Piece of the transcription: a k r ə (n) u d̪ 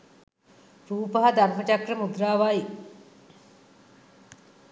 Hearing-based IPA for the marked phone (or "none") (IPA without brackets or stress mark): m